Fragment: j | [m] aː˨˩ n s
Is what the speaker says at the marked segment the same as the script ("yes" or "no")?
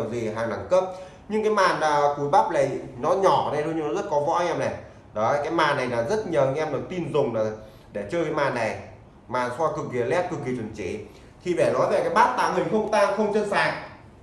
yes